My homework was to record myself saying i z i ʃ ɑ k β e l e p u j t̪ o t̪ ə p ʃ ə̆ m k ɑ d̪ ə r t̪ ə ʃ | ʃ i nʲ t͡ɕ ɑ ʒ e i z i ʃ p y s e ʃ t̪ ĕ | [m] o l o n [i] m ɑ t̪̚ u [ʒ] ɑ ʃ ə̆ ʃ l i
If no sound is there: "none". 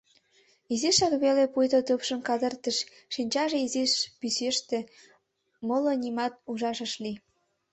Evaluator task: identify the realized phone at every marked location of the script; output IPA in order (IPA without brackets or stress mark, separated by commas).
m, i, ʒ